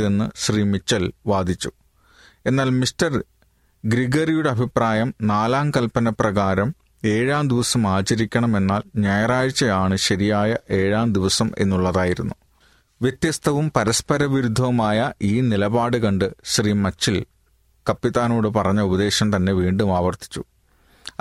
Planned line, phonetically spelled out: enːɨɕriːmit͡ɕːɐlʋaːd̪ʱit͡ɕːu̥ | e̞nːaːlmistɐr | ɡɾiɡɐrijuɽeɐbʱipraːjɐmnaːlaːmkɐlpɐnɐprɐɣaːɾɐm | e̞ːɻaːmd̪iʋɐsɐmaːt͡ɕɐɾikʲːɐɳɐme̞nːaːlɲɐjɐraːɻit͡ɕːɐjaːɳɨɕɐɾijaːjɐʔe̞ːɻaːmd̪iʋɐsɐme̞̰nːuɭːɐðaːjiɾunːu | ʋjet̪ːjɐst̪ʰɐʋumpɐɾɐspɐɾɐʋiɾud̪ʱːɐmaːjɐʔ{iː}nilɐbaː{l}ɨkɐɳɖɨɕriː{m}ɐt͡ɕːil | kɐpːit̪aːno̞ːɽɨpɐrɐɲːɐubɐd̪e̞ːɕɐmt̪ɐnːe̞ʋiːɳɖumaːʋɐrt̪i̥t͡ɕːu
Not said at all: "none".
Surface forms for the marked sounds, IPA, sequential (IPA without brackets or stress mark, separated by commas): iː, ɽ, m